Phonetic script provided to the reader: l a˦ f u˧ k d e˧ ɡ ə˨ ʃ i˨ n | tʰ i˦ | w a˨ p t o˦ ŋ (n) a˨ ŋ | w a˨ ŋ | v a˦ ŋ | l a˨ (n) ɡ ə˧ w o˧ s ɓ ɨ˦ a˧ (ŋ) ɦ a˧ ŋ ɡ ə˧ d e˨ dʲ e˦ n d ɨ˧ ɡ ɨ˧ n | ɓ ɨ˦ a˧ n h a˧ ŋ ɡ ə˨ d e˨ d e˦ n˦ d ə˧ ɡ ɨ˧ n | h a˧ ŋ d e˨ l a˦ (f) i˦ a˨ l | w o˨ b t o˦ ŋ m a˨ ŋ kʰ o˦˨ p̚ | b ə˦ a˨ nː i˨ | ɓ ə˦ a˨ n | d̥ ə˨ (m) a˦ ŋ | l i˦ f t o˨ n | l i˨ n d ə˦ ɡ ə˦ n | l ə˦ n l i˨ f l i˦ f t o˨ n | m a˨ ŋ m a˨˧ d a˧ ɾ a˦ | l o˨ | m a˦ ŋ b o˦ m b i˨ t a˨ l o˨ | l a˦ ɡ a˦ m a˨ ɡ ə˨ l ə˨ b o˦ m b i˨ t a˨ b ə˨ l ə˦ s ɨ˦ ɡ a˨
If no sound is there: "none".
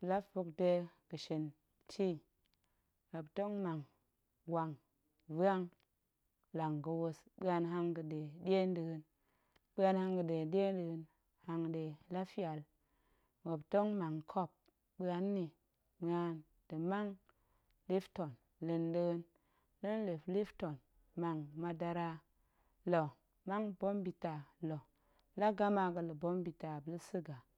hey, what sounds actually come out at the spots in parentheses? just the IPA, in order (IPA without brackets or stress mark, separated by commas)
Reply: m, ŋ, n, f, m